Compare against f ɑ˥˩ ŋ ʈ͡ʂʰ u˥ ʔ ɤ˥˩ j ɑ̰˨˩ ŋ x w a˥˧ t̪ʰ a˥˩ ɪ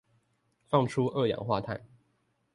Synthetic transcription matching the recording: f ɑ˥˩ ŋ ʈ͡ʂʰ u˥ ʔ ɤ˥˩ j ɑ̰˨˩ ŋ x w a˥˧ t̪ʰ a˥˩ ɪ